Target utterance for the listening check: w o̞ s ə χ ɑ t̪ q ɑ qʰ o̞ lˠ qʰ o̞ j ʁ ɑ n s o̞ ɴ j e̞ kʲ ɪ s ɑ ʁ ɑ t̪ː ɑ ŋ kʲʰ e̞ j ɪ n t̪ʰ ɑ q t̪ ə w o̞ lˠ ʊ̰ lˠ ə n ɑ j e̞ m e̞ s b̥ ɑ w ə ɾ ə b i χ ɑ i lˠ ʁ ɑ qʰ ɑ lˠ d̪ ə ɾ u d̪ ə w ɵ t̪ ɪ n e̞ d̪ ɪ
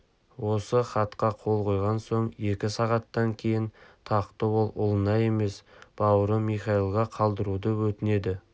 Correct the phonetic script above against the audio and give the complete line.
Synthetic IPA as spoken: w o̞ s ə χ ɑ t̪ q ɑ qʰ o̞ lˠ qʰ o̞ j ʁ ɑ n s o̞ ɴ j e̞ kʲ ɪ s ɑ ʁ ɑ t̪ː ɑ ŋ kʲʰ e̞ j ɪ n t̪ʰ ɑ q t̪ ə w o̞ lˠ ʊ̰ lˠ ə n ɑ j e̞ m e̞ s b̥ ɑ w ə ɾ ə m i χ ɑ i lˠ ʁ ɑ qʰ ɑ lˠ d̪ ə ɾ u d̪ ə w ɵ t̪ ɪ n e̞ d̪ ɪ